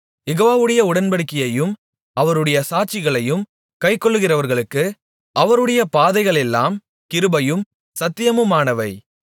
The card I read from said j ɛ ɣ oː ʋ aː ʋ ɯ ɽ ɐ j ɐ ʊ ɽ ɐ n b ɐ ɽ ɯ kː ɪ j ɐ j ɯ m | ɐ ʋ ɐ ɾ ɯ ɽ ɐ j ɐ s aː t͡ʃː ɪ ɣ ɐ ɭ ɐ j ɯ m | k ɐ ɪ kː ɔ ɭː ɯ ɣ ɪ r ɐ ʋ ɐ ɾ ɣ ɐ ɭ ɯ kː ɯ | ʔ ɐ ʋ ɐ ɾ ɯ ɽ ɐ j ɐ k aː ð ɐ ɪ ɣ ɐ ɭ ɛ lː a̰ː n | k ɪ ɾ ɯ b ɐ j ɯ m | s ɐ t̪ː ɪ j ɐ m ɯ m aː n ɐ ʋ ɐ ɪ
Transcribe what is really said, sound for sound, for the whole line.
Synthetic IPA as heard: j ɛ ɣ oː ʋ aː ʋ ɯ ɽ ɐ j ɐ ʊ ɽ ɐ n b ɐ ɽ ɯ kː ɪ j ɐ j ɯ m | ɐ ʋ ɐ ɾ ɯ ɽ ɐ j ɐ s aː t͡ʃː ɪ ɣ ɐ ɭ ɐ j ɯ m | k ɐ ɪ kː ɔ ɭː ɯ ɣ ɪ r ɐ ʋ ɐ ɾ ɣ ɐ ɭ ɯ kː ɯ | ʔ ɐ ʋ ɐ ɾ ɯ ɽ ɐ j ɐ p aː ð ɐ ɪ ɣ ɐ ɭ ɛ lː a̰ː m | k ɪ ɾ ɯ b ɐ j ɯ m | s ɐ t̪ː ɪ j ɐ m ɯ m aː n ɐ ʋ ɐ ɪ